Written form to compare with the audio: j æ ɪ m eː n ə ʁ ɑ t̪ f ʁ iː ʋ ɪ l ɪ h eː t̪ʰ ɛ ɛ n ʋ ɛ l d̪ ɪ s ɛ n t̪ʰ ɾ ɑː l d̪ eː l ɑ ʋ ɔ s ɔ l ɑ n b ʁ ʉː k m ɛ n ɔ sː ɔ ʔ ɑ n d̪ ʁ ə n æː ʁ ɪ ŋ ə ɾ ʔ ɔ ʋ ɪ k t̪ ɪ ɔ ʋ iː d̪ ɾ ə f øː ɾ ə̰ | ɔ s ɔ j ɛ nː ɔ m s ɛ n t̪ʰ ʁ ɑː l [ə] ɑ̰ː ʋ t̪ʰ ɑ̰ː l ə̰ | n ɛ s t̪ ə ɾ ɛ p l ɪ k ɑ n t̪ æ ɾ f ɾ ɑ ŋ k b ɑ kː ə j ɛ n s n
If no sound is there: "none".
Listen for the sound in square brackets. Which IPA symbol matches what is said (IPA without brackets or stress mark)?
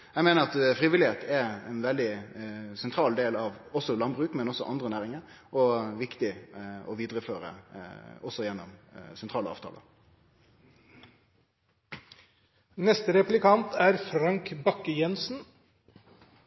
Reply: ə